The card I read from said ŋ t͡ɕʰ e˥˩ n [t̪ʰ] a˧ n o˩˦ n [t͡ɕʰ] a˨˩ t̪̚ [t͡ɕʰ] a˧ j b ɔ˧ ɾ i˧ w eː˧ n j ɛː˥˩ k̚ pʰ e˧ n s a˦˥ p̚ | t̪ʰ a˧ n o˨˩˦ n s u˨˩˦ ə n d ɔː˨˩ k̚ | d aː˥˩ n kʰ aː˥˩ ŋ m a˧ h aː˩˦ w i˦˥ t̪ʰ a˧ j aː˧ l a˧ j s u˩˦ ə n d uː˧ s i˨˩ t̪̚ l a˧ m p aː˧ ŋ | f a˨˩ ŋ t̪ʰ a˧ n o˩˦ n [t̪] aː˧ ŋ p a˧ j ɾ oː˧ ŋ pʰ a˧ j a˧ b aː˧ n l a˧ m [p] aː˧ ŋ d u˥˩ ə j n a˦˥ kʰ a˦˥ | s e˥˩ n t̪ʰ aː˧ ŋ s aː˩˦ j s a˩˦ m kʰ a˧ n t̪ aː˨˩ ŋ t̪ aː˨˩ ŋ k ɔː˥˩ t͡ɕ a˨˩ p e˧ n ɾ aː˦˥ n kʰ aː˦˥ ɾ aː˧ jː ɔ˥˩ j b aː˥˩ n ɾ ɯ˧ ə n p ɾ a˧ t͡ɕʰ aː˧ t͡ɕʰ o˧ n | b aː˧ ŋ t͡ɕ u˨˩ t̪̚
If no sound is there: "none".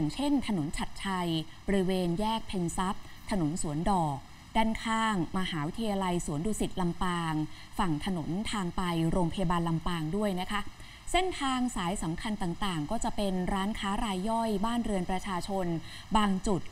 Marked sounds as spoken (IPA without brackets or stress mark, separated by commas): t̪ʰ, t͡ɕʰ, t͡ɕʰ, t̪ʰ, p